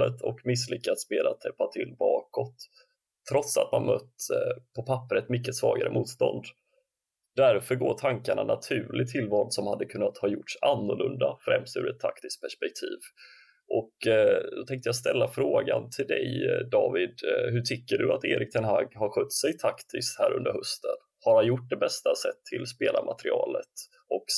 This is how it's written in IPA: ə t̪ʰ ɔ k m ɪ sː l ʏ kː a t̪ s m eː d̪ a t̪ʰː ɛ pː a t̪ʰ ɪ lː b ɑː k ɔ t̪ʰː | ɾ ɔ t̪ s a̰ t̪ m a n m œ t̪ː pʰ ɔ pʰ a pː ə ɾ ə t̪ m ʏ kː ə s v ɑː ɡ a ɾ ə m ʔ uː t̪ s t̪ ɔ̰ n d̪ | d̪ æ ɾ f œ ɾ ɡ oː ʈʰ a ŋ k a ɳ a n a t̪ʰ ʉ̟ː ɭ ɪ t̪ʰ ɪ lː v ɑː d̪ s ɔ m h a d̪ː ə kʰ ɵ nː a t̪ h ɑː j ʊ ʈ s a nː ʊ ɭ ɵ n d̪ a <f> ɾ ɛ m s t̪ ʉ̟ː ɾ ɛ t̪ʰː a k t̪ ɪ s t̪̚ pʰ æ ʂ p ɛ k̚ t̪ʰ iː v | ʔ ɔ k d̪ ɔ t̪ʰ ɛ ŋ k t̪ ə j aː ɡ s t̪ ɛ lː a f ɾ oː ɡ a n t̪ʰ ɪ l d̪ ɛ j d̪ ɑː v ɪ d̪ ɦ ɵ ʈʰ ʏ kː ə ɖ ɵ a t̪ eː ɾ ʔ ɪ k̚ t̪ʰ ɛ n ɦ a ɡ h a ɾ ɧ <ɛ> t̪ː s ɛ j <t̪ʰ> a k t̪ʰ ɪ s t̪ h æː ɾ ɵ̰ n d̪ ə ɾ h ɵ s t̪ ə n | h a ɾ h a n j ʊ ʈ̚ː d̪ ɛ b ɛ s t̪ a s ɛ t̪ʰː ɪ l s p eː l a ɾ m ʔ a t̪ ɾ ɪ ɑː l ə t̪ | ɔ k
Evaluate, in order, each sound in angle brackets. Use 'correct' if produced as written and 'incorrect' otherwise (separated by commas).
correct, incorrect, correct